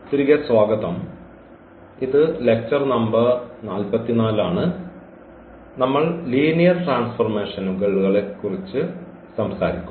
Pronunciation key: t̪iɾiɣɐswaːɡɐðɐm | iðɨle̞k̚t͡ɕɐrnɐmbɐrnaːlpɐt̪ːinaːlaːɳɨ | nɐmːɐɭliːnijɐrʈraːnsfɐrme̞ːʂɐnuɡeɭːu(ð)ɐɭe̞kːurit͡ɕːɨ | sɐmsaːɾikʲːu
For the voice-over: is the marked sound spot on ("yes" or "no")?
no